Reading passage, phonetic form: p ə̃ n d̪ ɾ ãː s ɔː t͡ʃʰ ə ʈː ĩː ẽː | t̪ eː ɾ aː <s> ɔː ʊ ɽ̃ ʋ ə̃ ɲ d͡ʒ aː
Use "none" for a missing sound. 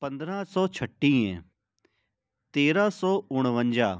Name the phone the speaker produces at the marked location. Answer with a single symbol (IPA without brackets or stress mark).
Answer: s